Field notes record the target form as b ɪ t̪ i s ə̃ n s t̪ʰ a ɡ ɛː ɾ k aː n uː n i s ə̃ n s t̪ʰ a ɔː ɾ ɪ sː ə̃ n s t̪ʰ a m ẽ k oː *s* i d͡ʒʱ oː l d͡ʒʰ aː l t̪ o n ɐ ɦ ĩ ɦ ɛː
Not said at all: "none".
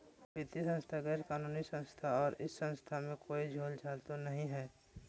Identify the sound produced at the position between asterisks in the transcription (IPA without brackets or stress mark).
none